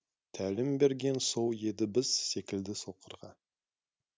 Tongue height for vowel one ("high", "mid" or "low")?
low